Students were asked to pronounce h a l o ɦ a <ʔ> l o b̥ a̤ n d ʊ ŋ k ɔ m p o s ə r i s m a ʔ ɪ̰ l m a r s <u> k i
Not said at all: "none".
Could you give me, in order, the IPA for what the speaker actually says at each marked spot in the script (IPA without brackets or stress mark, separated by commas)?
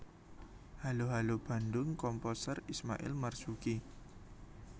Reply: none, u